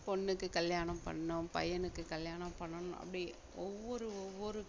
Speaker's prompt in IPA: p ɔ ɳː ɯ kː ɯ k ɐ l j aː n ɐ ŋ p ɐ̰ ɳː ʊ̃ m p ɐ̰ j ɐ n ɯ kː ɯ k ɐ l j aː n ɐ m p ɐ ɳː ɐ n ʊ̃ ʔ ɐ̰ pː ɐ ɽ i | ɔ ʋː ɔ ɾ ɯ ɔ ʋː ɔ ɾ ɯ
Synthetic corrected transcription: p ɔ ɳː ɯ kː ɯ k ɐ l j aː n ɐ m p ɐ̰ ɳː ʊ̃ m p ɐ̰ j ɐ n ɯ kː ɯ k ɐ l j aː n ɐ m p ɐ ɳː ɐ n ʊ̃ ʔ ɐ̰ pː ɐ ɽ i | ɔ ʋː ɔ ɾ ɯ ɔ ʋː ɔ ɾ ɯ